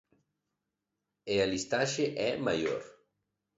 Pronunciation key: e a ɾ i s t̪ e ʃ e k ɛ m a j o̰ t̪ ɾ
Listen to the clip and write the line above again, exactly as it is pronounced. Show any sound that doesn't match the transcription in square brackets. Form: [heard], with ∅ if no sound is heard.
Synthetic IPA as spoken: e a [l] i s t̪ [a] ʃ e [ʔ] ɛ m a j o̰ [∅] ɾ